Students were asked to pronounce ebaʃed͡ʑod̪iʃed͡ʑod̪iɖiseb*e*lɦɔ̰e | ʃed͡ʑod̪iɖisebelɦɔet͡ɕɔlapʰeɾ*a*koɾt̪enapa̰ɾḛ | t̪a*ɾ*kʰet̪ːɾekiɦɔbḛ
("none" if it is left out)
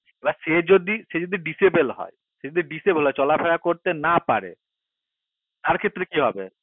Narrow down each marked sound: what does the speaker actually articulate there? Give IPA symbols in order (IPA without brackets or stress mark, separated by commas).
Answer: e, a, ɾ